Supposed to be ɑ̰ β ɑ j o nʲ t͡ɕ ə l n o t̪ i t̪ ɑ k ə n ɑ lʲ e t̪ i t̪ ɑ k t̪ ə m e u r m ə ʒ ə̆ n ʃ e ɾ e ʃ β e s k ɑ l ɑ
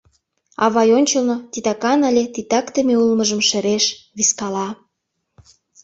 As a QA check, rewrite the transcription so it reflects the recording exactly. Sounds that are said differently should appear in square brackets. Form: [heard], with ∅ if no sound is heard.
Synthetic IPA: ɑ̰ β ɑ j o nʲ t͡ɕ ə l n o t̪ i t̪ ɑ k [ɑ] n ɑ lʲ e t̪ i t̪ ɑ k t̪ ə m e u [l] m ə ʒ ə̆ [m] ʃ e ɾ e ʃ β [i] s k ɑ l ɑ